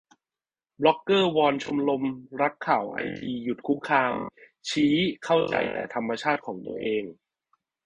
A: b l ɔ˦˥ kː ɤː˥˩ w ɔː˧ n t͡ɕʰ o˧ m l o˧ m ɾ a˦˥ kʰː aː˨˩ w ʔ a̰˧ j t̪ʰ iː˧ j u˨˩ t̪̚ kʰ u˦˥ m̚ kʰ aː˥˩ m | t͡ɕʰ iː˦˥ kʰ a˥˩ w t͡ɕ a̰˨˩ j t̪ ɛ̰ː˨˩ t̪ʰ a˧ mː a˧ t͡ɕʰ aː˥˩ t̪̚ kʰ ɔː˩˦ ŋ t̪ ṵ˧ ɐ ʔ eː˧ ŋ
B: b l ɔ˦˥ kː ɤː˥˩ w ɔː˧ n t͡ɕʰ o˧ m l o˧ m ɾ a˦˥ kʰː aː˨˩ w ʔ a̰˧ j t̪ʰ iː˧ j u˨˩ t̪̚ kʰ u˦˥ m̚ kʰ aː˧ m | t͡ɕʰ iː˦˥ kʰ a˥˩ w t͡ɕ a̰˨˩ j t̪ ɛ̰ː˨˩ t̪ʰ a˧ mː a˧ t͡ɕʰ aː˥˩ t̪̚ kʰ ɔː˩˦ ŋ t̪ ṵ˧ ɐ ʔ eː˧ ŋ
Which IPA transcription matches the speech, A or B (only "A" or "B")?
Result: B